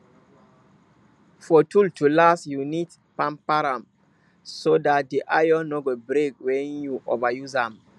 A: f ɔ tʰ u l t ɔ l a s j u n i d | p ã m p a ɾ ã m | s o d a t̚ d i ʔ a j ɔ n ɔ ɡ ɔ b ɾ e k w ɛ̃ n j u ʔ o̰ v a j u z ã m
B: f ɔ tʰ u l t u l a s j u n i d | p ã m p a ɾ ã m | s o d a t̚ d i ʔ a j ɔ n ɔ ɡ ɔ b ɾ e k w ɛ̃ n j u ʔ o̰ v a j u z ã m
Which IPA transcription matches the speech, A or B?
B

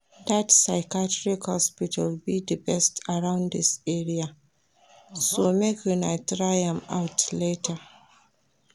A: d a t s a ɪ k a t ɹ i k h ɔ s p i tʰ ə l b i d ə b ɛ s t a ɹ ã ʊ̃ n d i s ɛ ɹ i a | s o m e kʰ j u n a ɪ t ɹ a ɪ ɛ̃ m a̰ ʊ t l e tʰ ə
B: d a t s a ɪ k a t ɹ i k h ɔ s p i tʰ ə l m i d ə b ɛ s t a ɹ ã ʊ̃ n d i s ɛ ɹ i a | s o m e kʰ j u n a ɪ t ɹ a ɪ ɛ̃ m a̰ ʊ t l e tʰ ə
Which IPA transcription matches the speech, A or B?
A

